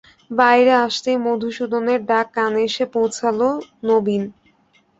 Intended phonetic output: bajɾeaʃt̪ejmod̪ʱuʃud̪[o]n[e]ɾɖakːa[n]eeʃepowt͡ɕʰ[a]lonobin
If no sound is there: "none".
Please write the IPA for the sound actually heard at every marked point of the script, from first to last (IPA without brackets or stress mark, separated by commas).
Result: o, e, n, a